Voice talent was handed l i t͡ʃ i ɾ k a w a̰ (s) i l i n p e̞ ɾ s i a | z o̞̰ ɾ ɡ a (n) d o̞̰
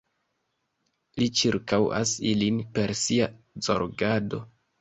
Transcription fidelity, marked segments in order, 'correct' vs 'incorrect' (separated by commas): correct, incorrect